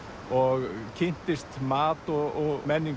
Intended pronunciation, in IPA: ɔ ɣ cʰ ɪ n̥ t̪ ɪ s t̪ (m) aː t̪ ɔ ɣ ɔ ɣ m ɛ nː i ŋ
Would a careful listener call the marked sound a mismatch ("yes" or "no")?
no